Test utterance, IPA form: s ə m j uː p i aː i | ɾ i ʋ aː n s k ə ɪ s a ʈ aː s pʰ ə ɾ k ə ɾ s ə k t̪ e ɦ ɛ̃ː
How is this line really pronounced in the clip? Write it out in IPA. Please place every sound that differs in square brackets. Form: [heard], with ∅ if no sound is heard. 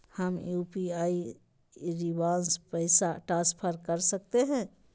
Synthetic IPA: [h] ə m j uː p i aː i | ɾ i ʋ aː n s [p] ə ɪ s a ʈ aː s pʰ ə ɾ k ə ɾ s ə k t̪ e ɦ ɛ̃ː